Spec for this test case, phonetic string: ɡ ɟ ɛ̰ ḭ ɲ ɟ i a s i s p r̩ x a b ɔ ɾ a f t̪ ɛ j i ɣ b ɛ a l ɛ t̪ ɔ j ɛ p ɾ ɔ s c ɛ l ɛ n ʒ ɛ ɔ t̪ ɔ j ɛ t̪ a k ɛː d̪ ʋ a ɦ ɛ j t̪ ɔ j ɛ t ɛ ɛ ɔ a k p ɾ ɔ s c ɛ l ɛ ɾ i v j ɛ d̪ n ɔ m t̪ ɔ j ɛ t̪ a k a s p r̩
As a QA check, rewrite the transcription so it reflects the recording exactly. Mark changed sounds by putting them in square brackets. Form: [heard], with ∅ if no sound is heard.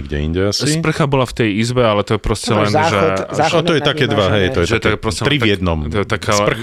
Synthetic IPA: ɡ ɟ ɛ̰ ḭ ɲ ɟ [ɛ] a s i s p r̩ x a b ɔ [l] a f t̪ ɛ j i [z] b ɛ a l ɛ t̪ ɔ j ɛ p ɾ ɔ s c ɛ l ɛ n ʒ ɛ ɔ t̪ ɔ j ɛ t̪ a k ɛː d̪ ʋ a ɦ ɛ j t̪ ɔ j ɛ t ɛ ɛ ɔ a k p ɾ ɔ s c ɛ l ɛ ɾ i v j ɛ d̪ n ɔ m t̪ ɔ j ɛ t̪ a k a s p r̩